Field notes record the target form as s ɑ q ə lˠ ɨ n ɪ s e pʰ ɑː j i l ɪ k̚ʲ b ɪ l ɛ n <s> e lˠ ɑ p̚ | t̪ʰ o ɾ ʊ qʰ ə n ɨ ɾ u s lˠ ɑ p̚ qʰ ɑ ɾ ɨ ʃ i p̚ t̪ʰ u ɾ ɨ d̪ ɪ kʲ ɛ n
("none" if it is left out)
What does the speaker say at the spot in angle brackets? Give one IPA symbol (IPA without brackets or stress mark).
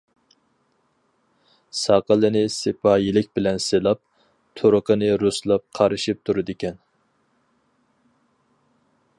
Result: s